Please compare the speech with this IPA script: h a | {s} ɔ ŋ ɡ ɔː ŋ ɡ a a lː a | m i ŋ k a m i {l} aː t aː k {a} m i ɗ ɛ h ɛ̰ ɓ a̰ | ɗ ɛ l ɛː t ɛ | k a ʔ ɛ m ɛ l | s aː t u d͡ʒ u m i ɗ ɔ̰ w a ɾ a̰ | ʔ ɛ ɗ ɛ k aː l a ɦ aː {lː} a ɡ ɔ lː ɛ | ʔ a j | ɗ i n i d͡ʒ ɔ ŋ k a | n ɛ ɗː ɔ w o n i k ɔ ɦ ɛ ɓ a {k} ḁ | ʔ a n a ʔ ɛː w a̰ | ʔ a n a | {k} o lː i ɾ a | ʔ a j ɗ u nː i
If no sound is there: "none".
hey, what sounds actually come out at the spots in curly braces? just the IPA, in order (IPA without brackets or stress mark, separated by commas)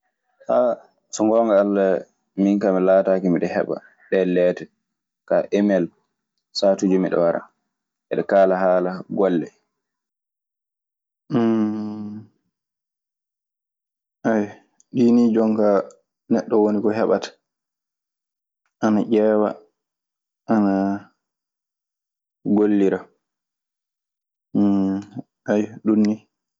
s, l, i, l, t, ɡ